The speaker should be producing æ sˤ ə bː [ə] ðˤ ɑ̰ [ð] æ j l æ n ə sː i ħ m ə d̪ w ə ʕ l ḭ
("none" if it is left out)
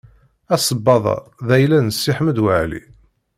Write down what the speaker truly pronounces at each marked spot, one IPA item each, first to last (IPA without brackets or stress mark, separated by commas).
ɑ, ð